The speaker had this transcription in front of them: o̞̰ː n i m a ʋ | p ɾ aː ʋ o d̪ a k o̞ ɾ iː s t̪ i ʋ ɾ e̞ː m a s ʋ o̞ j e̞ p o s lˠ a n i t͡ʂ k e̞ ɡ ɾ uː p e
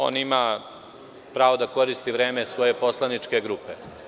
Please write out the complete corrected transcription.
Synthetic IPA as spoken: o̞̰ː n i m a | p ɾ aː ʋ o d̪ a k o̞ ɾ i s t̪ i ʋ ɾ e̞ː m e s ʋ o̞ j e̞ p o s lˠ a n i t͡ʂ k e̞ ɡ ɾ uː p e